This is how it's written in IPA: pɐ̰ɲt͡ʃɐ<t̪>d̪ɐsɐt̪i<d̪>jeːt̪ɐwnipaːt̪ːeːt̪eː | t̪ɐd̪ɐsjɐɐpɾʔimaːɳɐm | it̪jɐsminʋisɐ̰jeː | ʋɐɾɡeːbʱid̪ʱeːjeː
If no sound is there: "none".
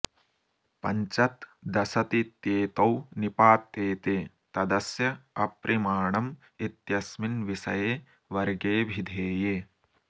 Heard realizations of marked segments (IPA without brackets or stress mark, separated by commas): t̪, t̪